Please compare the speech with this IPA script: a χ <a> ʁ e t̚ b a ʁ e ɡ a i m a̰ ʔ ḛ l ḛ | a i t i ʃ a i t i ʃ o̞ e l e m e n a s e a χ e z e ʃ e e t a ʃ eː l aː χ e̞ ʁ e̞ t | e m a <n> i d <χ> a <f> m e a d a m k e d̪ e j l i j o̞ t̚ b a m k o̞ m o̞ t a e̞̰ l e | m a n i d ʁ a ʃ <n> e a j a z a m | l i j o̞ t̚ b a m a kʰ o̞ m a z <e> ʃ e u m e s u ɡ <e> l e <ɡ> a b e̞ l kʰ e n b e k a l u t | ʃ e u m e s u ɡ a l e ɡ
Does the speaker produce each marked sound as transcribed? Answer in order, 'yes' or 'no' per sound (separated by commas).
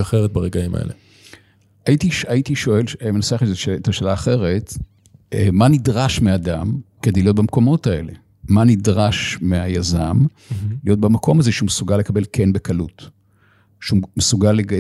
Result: no, yes, no, no, no, yes, no, no